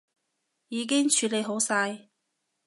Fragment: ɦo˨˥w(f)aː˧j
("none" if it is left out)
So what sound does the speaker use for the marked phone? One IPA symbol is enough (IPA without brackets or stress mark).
s